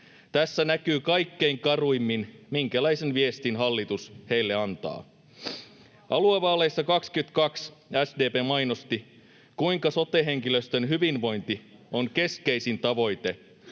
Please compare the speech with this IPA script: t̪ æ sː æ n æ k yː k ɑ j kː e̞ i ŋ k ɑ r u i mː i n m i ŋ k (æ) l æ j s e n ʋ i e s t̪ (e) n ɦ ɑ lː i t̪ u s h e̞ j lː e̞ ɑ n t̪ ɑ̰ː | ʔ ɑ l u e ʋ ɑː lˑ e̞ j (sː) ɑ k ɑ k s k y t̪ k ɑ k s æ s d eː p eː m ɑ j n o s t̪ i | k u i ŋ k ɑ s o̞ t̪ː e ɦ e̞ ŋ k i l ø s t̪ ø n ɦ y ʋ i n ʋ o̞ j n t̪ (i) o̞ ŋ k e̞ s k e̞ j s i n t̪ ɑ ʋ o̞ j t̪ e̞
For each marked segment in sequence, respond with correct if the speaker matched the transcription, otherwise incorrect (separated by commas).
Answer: correct, incorrect, correct, correct